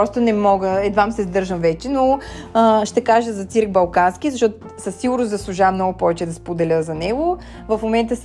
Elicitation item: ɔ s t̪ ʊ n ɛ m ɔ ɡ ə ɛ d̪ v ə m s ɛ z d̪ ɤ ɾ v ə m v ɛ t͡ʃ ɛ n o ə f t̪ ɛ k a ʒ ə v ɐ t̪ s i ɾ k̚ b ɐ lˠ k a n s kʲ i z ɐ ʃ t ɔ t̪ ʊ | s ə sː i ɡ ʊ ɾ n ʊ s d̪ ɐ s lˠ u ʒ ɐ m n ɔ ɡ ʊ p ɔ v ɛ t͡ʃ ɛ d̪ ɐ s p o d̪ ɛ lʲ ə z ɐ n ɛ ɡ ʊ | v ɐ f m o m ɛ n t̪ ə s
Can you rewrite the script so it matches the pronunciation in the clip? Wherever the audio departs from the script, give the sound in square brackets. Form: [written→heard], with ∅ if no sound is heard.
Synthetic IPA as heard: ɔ s t̪ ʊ n ɛ m ɔ ɡ ə ɛ d̪ v [ə→a] m s ɛ z d̪ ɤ ɾ [v→ʒ] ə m v ɛ t͡ʃ ɛ n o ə [f→ʃ] t̪ ɛ k a ʒ ə [v→z] ɐ t̪ s i ɾ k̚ b ɐ lˠ k a n s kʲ i z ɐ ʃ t ɔ t̪ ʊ | s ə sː i ɡ ʊ ɾ n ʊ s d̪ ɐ s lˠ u ʒ [ɐ→a] m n ɔ ɡ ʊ p ɔ v ɛ t͡ʃ ɛ d̪ ɐ s p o d̪ ɛ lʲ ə z ɐ n ɛ ɡ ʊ | v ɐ f m o m ɛ n t̪ ə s